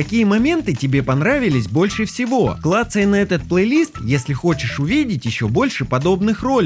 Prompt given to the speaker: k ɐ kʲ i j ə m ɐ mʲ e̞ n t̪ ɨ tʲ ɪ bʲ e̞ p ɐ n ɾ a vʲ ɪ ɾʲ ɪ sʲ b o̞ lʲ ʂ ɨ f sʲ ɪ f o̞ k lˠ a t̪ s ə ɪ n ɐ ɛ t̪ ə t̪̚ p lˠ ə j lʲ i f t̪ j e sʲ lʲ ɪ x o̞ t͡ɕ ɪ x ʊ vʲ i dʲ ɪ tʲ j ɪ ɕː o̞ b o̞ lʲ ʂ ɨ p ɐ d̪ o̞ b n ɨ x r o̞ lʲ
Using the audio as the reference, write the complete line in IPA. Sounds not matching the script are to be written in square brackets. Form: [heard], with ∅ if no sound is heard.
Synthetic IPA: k ɐ kʲ i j ə m ɐ mʲ e̞ n t̪ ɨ tʲ ɪ bʲ e̞ p ɐ n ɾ a vʲ ɪ [lʲ] ɪ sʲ b o̞ lʲ ʂ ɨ f sʲ ɪ [v] o̞ k lˠ a t̪ s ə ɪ n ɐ ɛ t̪ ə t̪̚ p lˠ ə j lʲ i [s] t̪ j e sʲ lʲ ɪ x o̞ t͡ɕ ɪ [ʂ] ʊ vʲ i dʲ ɪ tʲ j ɪ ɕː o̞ b o̞ lʲ ʂ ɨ p ɐ d̪ o̞ b n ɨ x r o̞ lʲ